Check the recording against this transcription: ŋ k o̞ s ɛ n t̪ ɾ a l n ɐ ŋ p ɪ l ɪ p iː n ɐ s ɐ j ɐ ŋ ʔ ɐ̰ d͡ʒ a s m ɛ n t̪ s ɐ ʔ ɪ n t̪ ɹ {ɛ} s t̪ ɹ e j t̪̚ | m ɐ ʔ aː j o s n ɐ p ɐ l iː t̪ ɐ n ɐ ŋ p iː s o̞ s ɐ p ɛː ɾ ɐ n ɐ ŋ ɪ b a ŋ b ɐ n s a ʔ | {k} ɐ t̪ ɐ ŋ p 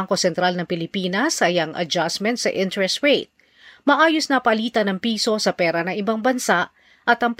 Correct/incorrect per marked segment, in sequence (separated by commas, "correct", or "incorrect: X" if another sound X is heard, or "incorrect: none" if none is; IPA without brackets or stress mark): correct, incorrect: ʔ